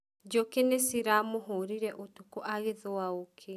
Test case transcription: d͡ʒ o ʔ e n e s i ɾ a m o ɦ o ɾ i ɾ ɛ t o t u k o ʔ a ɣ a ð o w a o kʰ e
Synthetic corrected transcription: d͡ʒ o k e n e s i ɾ a m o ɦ o ɾ i ɾ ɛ ʔ o t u k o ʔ a ɣ e ð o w a o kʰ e